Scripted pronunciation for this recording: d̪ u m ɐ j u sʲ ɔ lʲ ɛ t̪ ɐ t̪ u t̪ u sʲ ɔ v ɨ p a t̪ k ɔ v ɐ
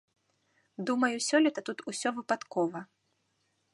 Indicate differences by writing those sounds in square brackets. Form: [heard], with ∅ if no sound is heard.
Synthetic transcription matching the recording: d̪ u m ɐ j u sʲ ɔ lʲ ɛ t̪ ɐ t̪ u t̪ u sʲ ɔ v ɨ p a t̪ k ɔ v ɐ